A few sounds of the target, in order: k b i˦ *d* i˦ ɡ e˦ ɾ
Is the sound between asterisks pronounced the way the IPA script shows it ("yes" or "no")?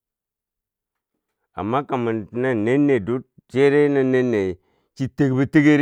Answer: no